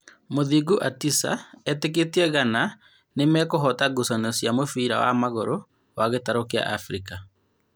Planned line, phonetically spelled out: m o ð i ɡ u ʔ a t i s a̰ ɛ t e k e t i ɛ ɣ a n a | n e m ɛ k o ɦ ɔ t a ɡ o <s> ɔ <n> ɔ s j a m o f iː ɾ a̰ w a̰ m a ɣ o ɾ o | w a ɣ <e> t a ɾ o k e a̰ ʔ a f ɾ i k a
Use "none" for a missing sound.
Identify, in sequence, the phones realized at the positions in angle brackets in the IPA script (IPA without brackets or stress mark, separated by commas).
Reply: s, n, e